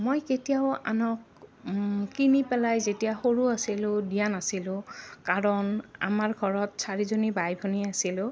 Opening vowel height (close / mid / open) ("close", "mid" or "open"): mid